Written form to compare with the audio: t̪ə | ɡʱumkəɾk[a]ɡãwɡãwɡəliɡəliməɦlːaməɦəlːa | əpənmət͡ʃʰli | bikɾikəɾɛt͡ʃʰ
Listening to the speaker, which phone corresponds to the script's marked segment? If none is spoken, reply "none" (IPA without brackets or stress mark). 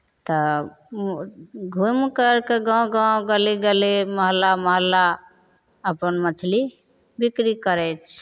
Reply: e